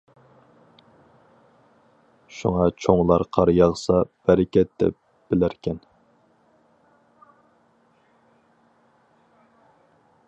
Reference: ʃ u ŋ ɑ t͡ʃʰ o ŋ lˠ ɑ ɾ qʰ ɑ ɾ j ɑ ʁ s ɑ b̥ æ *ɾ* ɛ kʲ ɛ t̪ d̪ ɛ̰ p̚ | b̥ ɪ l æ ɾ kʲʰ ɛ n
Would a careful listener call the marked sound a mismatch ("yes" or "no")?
no